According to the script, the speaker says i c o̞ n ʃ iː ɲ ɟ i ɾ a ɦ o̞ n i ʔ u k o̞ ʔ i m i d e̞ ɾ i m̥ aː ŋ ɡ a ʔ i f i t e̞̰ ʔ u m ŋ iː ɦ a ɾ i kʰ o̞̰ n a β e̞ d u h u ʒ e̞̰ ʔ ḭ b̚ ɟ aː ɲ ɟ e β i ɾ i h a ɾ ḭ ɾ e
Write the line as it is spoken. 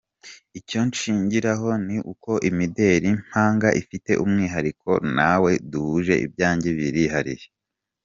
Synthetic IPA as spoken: i c o̞ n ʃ iː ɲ ɟ i ɾ a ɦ o̞ n i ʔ u k o̞ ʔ i m i d e̞ ɾ i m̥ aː ŋ ɡ a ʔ i f i t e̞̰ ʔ u m ŋ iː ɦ a ɾ i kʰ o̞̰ n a w e̞ d u h u ʒ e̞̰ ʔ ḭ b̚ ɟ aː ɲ ɟ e β i ɾ i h a ɾ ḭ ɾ e